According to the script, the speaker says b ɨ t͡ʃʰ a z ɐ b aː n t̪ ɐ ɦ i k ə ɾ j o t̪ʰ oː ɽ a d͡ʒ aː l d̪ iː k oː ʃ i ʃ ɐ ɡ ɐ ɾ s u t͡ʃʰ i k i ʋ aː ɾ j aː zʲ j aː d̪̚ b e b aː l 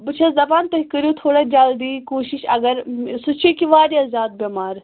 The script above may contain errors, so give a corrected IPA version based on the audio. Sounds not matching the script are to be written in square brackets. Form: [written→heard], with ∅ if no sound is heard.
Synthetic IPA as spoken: b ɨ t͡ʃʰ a z ɐ b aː n t̪ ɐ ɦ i k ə ɾ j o t̪ʰ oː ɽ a d͡ʒ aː l d̪ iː k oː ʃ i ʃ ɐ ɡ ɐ ɾ s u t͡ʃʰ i k i ʋ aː ɾ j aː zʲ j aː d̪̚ b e [b→m] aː [l→ɾ]